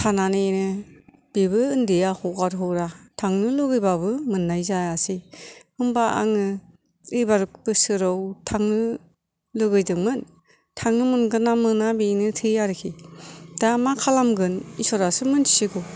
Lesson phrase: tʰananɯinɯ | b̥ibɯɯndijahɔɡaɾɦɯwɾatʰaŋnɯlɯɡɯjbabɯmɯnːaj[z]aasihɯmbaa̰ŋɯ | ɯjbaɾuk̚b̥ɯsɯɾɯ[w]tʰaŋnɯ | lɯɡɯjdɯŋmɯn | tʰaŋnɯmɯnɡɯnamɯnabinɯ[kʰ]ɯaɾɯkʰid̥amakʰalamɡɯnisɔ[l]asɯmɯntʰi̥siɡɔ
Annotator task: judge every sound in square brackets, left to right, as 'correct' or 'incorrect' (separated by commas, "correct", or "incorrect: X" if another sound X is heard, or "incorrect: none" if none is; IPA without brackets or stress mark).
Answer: correct, correct, incorrect: tʰ, incorrect: ɾ